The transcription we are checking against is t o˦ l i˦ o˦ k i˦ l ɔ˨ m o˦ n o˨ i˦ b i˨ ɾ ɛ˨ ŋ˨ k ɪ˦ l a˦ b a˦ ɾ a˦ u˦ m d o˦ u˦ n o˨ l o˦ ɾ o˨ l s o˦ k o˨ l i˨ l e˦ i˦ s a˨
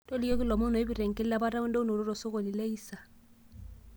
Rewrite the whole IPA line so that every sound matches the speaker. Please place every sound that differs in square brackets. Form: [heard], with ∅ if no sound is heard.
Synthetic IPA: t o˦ l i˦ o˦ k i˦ l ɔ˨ m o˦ n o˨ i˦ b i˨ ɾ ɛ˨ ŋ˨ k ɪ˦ l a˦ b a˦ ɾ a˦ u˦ [n] d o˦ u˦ n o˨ [ɾ] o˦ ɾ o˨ [∅] s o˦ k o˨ l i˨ l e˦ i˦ s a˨